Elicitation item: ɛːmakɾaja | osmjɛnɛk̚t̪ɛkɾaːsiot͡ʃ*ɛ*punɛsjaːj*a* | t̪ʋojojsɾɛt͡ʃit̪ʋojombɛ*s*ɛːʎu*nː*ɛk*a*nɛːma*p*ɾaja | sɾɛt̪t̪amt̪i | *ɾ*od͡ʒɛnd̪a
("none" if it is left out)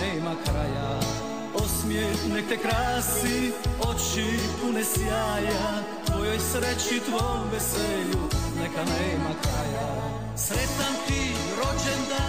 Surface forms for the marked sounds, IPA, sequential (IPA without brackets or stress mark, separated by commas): i, a, s, n, a, k, ɾ